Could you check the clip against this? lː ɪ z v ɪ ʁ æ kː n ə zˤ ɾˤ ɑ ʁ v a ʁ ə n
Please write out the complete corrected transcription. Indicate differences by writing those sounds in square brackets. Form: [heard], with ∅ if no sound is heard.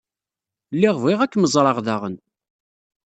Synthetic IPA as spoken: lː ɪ [ʁ] v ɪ ʁ æ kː [m] ə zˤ ɾˤ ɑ ʁ [ð] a ʁ ə n